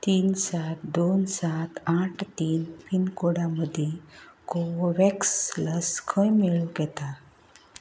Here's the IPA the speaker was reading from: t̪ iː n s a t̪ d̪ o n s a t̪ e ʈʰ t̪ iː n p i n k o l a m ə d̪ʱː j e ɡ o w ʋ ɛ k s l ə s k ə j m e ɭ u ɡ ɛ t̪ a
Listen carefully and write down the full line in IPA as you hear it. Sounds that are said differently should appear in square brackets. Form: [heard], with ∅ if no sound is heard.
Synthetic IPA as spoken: t̪ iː n s a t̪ d̪ o n s a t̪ [a] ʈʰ t̪ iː n p i n k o [ɽ] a m ə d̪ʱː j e [k] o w ʋ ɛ k s l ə s [kʰ] ə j m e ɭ u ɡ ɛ t̪ a